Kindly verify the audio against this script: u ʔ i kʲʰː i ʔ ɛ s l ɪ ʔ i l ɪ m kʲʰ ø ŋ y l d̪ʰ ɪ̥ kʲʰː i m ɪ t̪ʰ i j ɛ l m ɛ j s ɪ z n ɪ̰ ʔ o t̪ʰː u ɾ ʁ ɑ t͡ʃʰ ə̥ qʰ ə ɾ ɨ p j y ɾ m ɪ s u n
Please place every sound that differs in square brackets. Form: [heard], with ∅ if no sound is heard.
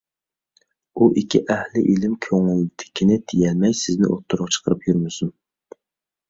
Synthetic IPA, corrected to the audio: u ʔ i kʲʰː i ʔ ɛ [h] l ɪ ʔ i l ɪ m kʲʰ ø ŋ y l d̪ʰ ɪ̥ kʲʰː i [n] ɪ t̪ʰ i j ɛ l m ɛ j s ɪ z n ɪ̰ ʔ o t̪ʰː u ɾ ʁ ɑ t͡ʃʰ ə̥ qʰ ə ɾ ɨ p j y ɾ m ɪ s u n